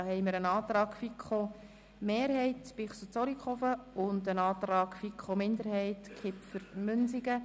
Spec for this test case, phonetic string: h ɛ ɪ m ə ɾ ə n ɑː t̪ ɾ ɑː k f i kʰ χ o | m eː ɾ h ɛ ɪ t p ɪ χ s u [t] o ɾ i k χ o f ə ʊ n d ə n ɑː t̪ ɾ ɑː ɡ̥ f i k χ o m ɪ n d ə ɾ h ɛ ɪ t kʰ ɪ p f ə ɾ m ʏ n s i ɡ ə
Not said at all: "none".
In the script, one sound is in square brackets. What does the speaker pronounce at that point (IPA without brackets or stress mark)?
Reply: t͡s